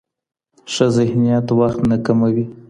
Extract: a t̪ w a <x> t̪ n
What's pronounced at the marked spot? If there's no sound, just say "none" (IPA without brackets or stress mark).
x